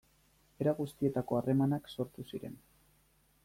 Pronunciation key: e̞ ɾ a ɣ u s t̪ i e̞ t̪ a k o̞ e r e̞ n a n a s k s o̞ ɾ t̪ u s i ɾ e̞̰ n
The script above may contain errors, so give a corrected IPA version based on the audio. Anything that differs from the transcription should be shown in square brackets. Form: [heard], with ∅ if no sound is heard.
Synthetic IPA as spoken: e̞ ɾ a ɣ u s t̪ i e̞ t̪ a k o̞ [a] r e̞ [m] a n a [∅] k s o̞ ɾ t̪ u s i ɾ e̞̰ n